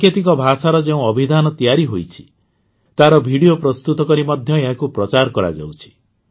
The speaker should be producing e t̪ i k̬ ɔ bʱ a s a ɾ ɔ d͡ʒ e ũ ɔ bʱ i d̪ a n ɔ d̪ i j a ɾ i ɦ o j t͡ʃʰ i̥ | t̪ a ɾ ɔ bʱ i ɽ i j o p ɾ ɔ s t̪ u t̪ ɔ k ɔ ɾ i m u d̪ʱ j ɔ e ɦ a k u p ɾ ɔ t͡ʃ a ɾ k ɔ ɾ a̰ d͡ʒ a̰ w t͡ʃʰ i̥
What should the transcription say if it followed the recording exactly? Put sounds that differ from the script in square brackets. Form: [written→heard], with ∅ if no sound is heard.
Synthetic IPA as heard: e t̪ i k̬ ɔ bʱ a s a ɾ ɔ d͡ʒ e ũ ɔ bʱ i d̪ a n ɔ [d̪→t̪] i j a ɾ i ɦ o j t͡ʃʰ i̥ | t̪ a ɾ ɔ bʱ i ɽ i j o p ɾ ɔ s t̪ u t̪ ɔ k ɔ ɾ i m [u→ɔ] d̪ʱ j ɔ e ɦ a k u p ɾ ɔ t͡ʃ a ɾ k ɔ ɾ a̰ d͡ʒ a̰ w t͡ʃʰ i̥